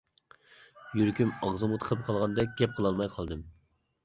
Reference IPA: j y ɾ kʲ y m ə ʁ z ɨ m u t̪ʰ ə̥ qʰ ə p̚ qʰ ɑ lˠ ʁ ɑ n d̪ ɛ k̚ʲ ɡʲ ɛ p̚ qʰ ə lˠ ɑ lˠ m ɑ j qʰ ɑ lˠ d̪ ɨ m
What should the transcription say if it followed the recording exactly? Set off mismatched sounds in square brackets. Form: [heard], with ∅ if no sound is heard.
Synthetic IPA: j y ɾ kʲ y m [ɑ] ʁ z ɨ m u t̪ʰ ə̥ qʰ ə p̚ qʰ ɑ lˠ ʁ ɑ n d̪ ɛ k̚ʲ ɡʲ ɛ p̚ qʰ ə lˠ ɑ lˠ m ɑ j qʰ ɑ lˠ d̪ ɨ m